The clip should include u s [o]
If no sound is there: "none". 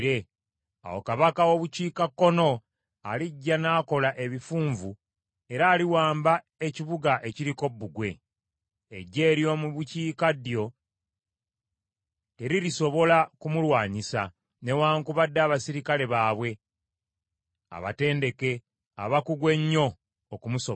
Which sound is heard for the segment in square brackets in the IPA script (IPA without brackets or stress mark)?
o